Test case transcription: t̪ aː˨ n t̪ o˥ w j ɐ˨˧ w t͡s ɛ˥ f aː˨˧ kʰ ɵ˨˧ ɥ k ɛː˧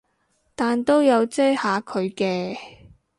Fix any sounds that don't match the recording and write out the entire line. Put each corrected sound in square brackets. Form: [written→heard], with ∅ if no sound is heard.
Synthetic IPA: t̪ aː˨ n t̪ o˥ w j ɐ˨˧ w t͡s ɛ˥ [f→h] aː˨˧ kʰ ɵ˨˧ ɥ k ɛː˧